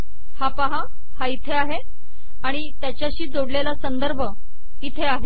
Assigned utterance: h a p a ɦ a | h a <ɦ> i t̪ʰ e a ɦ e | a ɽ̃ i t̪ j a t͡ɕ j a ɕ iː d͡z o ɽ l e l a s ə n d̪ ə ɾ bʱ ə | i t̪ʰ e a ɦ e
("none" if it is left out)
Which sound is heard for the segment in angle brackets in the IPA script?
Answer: none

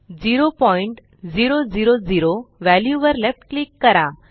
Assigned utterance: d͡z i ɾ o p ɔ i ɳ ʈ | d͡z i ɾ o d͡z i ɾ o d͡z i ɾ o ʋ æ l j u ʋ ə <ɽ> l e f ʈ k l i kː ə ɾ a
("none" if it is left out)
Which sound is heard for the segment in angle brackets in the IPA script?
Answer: ɾ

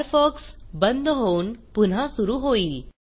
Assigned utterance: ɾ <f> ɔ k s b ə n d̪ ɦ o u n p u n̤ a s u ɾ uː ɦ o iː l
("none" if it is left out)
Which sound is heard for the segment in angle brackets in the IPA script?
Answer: f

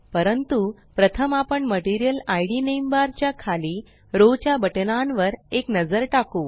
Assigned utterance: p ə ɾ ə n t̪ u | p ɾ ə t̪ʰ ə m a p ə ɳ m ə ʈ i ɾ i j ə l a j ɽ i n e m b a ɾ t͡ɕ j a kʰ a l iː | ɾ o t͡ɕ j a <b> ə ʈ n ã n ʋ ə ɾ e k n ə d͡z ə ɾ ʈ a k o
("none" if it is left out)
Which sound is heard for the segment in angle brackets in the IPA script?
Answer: b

